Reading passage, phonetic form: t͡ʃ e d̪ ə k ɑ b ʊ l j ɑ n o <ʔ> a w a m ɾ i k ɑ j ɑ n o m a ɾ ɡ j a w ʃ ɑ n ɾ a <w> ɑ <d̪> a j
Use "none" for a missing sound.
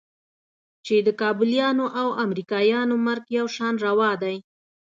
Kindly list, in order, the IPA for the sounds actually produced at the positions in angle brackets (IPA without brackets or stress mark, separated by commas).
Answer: ʔ, w, d̪